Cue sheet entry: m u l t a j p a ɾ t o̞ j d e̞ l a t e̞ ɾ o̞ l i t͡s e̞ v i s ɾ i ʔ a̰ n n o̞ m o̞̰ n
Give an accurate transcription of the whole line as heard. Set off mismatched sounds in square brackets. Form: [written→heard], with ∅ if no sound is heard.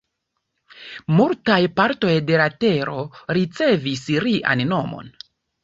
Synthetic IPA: m u l t a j p a ɾ t o̞ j d e̞ l a t e̞ ɾ o̞ [l→ɾ] i t͡s e̞ v i s ɾ i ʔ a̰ n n o̞ m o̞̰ n